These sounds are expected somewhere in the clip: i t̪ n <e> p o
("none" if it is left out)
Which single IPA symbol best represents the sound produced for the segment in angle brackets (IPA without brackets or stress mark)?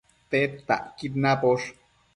a